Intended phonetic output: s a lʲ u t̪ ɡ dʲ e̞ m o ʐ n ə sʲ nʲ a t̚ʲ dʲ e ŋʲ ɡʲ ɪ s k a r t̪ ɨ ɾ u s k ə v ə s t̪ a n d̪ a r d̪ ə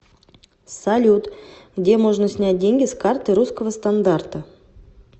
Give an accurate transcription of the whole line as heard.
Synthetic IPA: s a lʲ u t̪ ɡ dʲ e̞ m o ʐ n ə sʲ nʲ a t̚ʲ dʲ e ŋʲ ɡʲ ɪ s k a r t̪ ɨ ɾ u s k ə v ə s t̪ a n d̪ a r t̪ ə